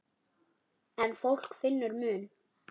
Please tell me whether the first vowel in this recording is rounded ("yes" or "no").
no